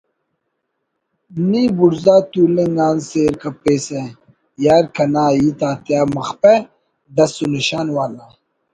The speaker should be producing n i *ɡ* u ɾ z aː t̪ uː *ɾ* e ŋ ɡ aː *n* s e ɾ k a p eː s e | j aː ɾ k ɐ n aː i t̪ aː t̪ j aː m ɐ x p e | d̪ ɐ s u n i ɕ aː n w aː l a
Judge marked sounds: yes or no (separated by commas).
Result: no, no, yes